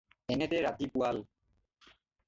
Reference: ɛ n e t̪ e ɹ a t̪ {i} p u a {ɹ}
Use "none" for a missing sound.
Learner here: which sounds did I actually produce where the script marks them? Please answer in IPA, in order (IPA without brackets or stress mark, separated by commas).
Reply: i, l